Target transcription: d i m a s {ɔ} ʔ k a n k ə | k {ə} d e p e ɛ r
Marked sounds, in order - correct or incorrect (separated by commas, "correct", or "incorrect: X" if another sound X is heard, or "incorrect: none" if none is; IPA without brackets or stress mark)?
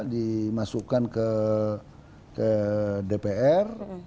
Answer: incorrect: u, correct